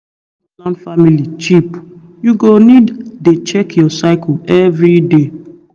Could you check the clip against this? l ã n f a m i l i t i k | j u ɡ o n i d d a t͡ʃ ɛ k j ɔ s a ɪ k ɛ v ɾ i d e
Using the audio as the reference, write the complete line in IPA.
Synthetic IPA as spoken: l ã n f a m i l i t͡ʃ i p | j u ɡ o n i d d e t͡ʃ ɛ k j ɔ s a ɪ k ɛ v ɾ i d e